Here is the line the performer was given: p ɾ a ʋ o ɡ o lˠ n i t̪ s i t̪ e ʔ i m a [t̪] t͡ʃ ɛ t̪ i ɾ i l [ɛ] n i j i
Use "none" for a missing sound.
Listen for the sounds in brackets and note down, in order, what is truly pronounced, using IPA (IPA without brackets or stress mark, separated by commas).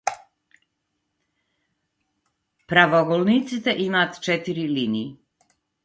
t̪, i